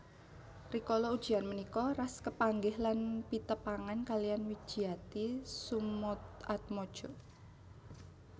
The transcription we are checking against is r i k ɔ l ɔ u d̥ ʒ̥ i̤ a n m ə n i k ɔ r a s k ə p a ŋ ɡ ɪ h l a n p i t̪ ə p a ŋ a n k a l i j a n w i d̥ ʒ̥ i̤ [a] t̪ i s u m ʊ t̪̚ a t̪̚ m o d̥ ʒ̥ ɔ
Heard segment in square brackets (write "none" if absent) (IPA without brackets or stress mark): a